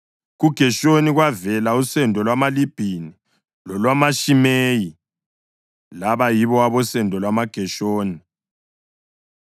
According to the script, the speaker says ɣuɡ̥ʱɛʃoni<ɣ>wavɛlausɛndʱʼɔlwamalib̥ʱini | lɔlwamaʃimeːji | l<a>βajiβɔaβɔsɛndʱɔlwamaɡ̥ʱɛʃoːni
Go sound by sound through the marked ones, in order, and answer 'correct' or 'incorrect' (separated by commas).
correct, correct